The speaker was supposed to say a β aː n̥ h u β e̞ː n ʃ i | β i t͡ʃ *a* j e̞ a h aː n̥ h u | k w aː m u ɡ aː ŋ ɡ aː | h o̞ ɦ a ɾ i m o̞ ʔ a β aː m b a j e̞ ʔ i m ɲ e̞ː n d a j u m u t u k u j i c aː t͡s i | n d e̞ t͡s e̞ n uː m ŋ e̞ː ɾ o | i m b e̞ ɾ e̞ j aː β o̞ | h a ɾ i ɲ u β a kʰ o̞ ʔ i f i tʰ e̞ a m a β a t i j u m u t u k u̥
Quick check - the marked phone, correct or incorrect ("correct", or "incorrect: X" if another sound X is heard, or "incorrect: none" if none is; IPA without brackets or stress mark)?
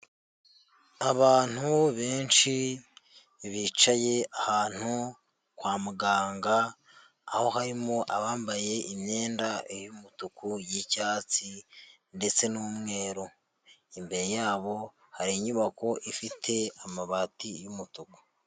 correct